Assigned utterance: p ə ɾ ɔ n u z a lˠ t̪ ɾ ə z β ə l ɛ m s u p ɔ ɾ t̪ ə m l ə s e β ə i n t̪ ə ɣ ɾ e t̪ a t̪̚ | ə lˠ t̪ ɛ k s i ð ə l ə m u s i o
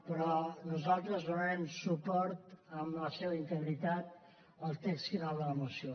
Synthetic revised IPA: p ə ɾ ɔ n u z a lˠ t̪ ɾ ə z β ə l ɛ m s u p ɔ ɾ t̪ ə m l ə s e β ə i n t̪ ə ɣ ɾ i t̪ a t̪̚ | ə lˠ t̪ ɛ k s i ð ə l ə m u s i o